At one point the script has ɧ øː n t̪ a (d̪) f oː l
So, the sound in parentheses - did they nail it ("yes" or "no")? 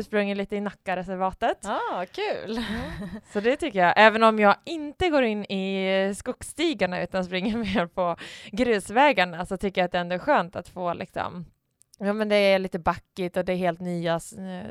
no